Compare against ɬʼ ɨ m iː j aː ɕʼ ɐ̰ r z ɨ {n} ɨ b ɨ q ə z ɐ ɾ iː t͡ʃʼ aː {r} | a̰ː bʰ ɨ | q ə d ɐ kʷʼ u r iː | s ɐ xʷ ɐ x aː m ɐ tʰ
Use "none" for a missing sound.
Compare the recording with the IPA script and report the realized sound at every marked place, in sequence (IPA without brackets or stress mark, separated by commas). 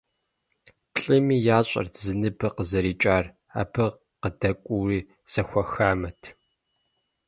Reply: n, r